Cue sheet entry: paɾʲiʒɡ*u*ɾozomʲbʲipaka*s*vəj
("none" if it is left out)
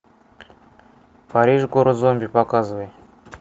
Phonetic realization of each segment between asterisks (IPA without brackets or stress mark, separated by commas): o, z